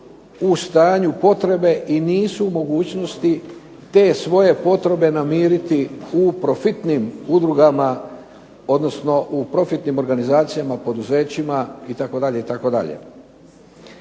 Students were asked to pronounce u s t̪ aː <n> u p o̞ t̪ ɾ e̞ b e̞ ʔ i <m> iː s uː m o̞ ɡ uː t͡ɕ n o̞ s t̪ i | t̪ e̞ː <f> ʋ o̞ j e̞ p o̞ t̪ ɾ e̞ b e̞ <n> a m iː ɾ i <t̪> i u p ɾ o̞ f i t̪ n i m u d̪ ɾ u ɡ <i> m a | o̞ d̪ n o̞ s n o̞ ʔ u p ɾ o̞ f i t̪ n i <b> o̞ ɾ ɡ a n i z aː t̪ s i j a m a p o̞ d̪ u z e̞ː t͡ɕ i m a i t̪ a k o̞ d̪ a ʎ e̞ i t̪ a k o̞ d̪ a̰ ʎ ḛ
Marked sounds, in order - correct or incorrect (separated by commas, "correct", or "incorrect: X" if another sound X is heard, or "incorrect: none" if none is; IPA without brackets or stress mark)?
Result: incorrect: ɲ, incorrect: n, incorrect: s, correct, correct, incorrect: a, incorrect: m